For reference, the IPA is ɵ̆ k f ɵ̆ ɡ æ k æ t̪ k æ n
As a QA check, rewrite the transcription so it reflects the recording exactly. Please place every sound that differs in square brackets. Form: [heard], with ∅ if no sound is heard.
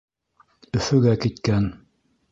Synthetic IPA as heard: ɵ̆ [∅] f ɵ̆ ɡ æ k [i] t̪ k æ n